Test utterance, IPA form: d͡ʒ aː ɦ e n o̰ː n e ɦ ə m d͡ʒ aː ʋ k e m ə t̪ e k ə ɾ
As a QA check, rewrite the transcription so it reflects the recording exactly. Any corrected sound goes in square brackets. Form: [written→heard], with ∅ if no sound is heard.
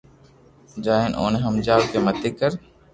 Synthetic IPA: d͡ʒ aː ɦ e n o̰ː n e ɦ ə m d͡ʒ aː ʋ k e m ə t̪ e k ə ɾ